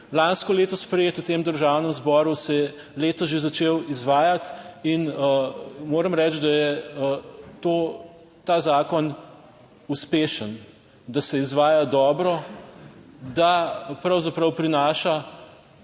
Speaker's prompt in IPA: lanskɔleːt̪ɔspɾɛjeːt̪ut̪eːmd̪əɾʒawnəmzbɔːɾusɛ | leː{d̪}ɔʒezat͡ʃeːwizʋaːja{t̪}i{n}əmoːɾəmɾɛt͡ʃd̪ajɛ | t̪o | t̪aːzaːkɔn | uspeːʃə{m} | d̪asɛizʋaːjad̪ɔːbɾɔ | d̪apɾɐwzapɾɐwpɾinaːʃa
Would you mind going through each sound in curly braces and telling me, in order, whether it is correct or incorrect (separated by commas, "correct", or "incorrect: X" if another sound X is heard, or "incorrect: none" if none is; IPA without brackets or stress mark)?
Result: incorrect: t̪, correct, correct, incorrect: n